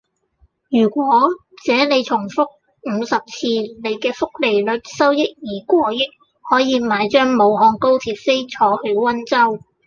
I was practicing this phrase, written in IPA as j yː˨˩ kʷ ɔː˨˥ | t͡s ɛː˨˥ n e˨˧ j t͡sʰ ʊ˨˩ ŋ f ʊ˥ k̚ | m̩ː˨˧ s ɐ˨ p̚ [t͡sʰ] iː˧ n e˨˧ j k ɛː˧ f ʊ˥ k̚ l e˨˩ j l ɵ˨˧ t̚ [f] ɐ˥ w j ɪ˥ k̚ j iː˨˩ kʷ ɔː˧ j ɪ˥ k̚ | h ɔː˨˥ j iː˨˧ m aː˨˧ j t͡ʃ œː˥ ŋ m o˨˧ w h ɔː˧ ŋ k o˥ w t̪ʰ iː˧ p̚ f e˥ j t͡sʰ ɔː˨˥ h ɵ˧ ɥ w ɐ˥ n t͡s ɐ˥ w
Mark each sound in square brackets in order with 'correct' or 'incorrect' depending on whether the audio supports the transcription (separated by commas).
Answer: correct, incorrect